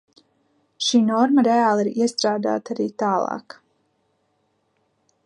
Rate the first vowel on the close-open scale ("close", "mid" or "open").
close